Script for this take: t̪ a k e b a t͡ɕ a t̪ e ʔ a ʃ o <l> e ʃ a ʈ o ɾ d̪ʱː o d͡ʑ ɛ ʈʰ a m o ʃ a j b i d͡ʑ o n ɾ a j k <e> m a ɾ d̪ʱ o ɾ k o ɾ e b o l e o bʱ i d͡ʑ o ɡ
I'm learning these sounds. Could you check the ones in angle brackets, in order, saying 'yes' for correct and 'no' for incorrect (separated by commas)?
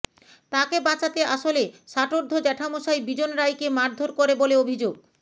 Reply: yes, yes